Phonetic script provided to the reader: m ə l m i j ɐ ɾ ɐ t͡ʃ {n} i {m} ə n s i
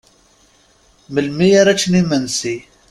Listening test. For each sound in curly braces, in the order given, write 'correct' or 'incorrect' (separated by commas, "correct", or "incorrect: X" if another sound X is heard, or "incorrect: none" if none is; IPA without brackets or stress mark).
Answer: correct, correct